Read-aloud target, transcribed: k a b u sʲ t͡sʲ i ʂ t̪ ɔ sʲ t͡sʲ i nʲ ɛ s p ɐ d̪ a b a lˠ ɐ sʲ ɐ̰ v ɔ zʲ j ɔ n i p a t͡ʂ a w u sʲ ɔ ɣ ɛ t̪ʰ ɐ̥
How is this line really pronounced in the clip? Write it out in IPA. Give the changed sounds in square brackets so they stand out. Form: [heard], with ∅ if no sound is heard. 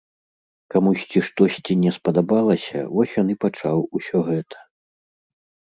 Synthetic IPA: k a [m] u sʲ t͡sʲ i ʂ t̪ ɔ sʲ t͡sʲ i nʲ ɛ s p ɐ d̪ a b a lˠ ɐ sʲ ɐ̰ v ɔ [sʲ] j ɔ n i p a t͡ʂ a w u sʲ ɔ ɣ ɛ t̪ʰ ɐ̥